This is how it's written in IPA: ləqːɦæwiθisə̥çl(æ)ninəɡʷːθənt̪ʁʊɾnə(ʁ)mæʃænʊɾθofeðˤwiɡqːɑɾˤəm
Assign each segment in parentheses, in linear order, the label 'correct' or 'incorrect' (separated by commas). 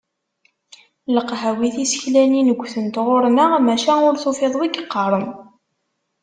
correct, correct